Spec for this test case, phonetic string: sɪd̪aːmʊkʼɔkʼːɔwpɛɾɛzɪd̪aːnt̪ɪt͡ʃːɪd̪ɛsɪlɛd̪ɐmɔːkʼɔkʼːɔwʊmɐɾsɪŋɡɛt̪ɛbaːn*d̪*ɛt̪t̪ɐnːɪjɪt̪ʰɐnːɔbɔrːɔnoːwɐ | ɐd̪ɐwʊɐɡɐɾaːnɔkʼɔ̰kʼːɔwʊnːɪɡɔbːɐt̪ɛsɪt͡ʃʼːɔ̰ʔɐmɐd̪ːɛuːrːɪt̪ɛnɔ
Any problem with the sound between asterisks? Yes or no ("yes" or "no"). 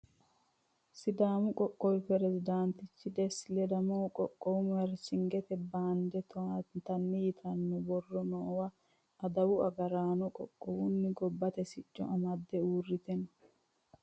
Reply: no